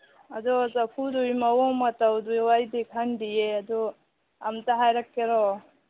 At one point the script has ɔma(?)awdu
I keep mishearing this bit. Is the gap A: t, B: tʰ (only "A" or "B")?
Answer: A